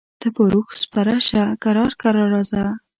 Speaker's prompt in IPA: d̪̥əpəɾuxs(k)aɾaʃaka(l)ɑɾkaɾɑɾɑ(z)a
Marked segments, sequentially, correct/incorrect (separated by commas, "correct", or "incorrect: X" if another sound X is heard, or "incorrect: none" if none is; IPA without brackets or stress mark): incorrect: p, incorrect: ɾ, correct